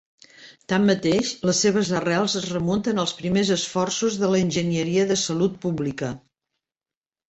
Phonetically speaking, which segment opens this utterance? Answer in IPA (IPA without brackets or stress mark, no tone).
t̪